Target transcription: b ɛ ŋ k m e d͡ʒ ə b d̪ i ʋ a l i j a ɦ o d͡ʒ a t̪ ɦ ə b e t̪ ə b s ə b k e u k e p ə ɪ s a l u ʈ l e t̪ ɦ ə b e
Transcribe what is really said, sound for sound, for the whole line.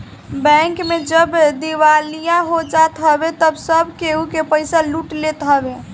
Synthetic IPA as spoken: b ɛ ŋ k m e d͡ʒ ə b d̪ i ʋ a l i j a ɦ o d͡ʒ a t̪ ɦ ə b e t̪ ə b s ə b k e u k e p ə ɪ s a l u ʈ l e t̪ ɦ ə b e